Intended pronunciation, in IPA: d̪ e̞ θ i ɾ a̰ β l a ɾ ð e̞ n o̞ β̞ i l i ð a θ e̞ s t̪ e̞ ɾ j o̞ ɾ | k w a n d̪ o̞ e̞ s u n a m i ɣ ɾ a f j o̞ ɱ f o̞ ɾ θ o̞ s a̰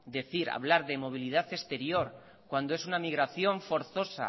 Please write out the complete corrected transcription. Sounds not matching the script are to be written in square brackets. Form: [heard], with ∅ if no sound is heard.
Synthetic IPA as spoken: d̪ e̞ θ i ɾ a̰ β l a ɾ ð e̞ [m] o̞ β̞ i l i ð a θ e̞ s t̪ e̞ ɾ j o̞ ɾ | k w a n d̪ o̞ e̞ s u n a m i ɣ ɾ a [θ] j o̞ ɱ f o̞ ɾ θ o̞ s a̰

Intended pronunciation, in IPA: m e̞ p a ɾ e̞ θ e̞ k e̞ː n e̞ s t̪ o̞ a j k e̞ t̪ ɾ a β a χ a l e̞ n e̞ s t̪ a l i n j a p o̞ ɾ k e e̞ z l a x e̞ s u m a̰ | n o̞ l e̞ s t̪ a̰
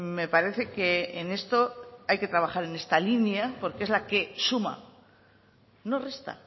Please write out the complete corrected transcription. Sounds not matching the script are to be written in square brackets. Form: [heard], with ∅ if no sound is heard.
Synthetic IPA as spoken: m e̞ p a ɾ e̞ θ e̞ k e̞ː n e̞ s t̪ o̞ a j k e̞ t̪ ɾ a β a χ a [ɾ] e̞ n e̞ s t̪ a l i n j a p o̞ ɾ k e e̞ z l a [k] e̞ s u m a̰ | n o̞ [r] e̞ s t̪ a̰

